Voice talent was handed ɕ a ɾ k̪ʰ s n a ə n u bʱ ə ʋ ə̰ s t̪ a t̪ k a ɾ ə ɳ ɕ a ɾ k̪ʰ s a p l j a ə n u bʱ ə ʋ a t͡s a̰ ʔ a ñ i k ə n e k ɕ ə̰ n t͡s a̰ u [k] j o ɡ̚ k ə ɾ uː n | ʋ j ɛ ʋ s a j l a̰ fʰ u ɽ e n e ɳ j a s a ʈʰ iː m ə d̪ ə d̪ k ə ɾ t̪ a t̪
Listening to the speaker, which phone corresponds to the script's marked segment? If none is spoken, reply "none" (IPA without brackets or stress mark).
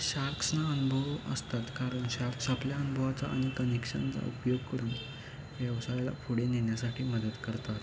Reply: p